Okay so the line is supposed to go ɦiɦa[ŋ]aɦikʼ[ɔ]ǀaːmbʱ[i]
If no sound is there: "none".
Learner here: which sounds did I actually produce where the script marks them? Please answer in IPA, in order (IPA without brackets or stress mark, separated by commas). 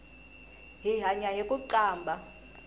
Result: ɲ, u, a